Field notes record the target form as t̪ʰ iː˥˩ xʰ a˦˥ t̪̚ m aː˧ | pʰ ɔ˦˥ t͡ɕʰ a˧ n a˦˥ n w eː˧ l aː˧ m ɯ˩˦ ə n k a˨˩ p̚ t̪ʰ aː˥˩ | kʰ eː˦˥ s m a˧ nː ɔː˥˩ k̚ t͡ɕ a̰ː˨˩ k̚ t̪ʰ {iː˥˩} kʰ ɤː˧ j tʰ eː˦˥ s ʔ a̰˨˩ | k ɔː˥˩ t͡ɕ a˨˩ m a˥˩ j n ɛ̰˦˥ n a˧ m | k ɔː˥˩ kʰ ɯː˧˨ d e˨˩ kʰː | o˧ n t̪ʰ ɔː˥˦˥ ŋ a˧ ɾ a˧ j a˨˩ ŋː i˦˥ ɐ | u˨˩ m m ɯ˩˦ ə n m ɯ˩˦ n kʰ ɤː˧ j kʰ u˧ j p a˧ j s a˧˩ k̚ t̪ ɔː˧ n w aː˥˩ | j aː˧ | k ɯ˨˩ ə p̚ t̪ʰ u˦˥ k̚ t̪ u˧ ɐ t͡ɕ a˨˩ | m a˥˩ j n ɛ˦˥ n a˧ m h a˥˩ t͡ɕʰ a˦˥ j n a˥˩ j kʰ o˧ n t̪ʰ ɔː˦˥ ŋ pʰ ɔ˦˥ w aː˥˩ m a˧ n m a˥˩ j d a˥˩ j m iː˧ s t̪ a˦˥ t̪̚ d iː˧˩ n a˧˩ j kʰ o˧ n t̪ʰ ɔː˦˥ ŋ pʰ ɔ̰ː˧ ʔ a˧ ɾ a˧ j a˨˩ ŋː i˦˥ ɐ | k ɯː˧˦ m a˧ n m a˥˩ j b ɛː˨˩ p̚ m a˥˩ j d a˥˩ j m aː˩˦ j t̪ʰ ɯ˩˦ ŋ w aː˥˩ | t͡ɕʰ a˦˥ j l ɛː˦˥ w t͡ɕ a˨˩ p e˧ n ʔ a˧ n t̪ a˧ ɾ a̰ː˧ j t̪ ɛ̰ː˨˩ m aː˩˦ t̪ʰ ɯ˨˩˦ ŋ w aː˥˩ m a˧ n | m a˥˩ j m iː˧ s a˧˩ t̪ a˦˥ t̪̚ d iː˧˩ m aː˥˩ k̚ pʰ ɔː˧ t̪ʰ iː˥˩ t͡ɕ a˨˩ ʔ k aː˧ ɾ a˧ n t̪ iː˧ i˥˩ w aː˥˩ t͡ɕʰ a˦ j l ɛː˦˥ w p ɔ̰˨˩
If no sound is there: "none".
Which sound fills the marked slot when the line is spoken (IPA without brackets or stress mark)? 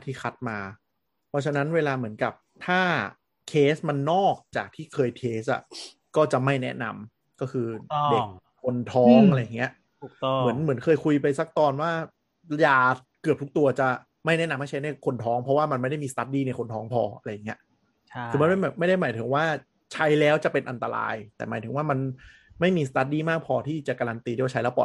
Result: iː˥˩